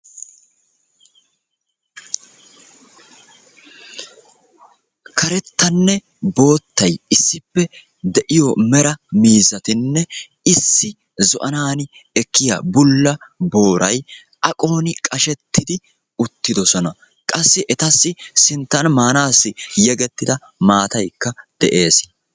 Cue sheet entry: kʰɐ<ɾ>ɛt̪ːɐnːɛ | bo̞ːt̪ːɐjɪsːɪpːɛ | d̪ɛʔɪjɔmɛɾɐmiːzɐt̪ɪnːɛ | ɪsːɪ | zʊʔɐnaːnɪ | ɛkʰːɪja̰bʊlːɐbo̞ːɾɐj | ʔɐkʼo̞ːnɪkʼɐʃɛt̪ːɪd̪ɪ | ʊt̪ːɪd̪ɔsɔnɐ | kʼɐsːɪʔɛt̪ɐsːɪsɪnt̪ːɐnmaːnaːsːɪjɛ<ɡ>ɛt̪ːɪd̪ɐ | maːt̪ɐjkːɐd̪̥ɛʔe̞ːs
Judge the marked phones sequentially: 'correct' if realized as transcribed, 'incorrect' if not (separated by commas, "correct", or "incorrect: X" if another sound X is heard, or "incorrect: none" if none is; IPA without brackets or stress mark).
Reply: correct, correct